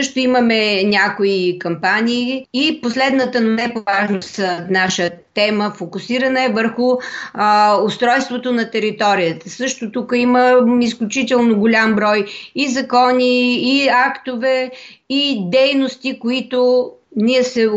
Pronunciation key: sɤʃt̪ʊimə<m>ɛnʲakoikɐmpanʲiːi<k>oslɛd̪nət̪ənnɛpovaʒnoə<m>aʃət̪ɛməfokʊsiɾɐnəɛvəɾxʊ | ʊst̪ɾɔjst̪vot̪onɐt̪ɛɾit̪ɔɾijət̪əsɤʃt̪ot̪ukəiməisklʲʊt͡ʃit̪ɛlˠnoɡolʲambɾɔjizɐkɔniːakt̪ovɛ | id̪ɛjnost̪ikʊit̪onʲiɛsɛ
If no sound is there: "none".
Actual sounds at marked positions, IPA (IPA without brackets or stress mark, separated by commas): m, p, n